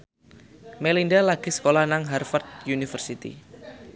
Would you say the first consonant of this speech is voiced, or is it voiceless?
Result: voiced